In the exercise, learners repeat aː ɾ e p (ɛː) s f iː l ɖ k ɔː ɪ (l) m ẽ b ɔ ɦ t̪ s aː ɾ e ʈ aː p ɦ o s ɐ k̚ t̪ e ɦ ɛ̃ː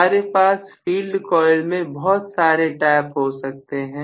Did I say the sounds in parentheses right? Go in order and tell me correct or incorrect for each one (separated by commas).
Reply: incorrect, correct